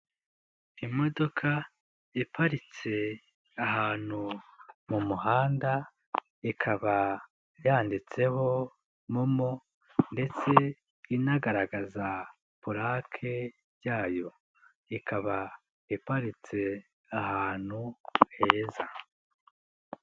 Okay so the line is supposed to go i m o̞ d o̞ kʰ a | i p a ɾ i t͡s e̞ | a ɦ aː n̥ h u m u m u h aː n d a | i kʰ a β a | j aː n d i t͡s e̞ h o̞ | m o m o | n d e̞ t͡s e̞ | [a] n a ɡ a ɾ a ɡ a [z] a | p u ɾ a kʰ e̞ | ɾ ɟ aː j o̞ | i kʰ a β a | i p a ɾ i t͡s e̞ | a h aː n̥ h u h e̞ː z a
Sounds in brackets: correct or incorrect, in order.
incorrect: i, correct

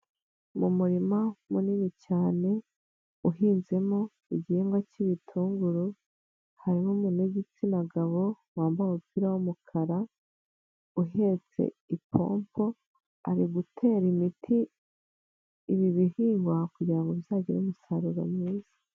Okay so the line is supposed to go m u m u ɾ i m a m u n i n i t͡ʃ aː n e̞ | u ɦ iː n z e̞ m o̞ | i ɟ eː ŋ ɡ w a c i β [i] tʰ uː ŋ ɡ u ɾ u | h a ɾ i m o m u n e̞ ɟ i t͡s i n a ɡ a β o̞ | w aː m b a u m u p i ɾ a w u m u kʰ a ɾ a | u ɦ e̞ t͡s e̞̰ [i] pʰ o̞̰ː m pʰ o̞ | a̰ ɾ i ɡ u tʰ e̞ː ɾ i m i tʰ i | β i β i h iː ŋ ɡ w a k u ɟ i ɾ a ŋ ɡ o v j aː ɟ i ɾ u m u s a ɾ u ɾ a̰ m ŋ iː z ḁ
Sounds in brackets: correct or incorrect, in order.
correct, correct

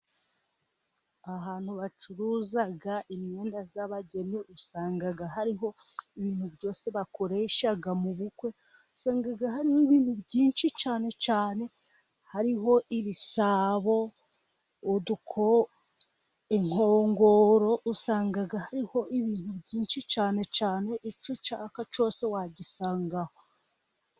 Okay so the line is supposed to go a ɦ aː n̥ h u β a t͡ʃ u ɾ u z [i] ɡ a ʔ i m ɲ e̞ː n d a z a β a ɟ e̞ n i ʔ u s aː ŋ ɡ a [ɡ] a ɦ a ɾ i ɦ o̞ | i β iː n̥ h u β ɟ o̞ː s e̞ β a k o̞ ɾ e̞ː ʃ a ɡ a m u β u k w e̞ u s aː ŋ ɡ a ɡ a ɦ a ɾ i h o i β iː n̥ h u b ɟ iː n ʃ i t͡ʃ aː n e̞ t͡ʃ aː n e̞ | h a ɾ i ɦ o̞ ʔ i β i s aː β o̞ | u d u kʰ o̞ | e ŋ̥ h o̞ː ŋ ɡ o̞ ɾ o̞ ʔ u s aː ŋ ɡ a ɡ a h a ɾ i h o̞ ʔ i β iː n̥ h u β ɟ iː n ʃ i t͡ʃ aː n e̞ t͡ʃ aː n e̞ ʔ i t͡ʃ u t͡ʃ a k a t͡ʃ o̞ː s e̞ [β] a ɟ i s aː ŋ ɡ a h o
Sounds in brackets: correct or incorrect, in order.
incorrect: a, correct, incorrect: w

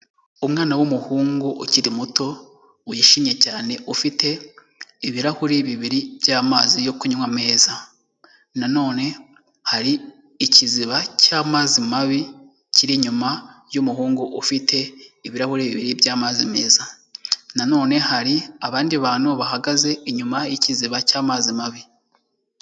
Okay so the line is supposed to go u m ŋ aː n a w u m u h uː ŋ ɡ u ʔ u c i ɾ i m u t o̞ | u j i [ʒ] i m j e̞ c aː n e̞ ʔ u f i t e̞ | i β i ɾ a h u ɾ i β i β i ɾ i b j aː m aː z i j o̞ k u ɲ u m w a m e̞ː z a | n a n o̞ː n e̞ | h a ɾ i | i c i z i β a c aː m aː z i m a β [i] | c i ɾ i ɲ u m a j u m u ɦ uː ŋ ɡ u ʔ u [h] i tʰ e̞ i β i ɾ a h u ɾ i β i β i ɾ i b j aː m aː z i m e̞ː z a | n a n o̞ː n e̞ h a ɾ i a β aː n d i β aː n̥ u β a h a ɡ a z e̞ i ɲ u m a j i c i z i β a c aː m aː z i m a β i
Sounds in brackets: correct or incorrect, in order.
incorrect: ʃ, correct, incorrect: f

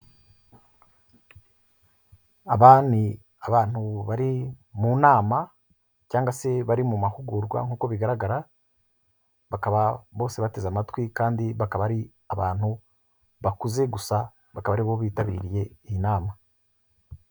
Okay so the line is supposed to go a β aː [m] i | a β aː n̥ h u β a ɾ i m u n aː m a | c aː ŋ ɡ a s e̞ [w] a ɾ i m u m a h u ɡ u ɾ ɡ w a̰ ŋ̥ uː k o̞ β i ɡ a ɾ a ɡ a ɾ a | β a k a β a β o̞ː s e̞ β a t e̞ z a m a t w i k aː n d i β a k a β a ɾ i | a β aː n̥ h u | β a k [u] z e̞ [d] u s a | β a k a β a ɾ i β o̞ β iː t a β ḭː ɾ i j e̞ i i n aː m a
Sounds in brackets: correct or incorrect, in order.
incorrect: n, incorrect: β, correct, incorrect: ɡ

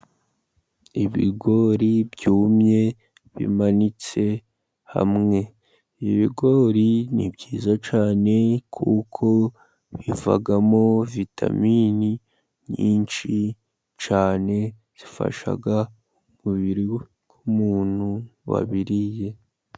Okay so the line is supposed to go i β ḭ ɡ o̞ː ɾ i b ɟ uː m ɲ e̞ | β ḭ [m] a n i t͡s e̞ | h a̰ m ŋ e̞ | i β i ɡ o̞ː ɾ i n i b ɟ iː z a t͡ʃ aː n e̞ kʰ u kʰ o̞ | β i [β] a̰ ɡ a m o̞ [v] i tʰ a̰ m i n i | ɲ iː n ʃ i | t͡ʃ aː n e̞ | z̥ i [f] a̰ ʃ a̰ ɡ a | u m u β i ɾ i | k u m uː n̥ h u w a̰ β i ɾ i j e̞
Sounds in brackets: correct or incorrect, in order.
correct, incorrect: v, correct, correct

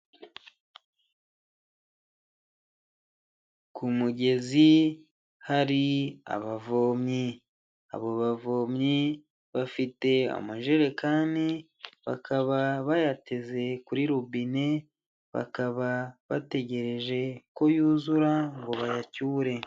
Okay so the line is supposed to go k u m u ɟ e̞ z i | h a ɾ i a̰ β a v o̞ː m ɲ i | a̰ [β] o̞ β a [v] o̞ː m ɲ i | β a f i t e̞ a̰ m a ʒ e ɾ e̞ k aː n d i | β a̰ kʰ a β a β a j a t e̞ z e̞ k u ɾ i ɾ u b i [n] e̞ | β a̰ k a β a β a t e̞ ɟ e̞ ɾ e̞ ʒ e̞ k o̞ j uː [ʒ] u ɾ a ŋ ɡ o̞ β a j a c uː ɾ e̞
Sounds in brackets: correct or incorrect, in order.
correct, correct, correct, incorrect: z

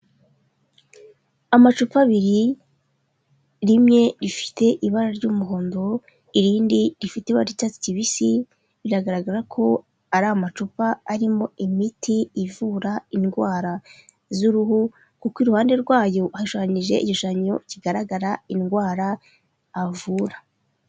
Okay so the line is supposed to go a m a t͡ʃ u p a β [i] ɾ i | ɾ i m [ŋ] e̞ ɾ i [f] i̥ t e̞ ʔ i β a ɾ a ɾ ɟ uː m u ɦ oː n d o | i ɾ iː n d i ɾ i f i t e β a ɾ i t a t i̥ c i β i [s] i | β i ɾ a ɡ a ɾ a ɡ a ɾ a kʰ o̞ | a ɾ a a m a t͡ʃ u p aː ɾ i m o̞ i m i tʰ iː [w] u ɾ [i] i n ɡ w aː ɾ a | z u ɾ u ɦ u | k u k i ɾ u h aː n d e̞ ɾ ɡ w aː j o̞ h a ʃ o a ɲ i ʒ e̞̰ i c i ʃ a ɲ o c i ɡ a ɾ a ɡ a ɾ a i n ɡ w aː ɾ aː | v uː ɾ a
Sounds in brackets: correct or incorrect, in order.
correct, incorrect: ɲ, correct, correct, incorrect: v, incorrect: a

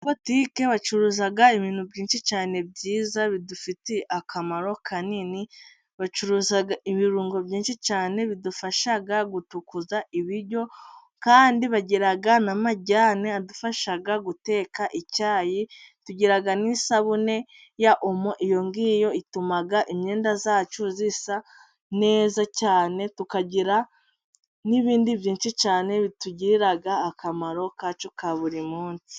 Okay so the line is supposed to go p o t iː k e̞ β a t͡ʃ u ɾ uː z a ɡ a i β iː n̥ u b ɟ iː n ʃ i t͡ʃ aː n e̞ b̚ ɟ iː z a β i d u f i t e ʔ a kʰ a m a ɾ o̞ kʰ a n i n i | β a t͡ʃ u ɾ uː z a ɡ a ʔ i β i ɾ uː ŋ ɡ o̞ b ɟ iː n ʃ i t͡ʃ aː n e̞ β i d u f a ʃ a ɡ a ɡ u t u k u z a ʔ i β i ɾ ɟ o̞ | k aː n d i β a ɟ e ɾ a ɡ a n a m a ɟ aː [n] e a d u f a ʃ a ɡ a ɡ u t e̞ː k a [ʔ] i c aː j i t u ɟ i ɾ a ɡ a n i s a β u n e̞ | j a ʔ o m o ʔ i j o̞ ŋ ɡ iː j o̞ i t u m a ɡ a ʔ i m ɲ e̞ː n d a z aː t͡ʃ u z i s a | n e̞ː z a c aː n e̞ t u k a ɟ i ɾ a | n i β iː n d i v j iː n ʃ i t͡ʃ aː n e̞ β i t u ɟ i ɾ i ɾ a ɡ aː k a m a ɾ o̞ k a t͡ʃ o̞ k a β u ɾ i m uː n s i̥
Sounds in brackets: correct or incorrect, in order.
correct, correct

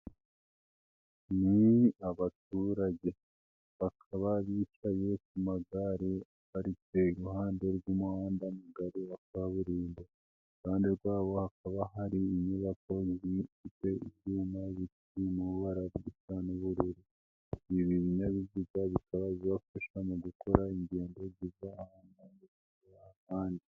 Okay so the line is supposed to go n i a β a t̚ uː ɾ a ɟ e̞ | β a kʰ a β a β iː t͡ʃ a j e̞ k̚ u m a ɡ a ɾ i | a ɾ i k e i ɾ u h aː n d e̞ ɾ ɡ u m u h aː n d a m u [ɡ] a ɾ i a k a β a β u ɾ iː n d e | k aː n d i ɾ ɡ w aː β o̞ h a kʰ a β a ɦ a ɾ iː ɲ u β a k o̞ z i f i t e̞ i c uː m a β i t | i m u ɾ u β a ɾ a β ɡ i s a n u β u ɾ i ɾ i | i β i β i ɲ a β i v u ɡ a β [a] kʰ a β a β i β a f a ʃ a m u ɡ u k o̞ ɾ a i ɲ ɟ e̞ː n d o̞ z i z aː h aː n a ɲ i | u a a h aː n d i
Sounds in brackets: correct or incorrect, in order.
correct, incorrect: i

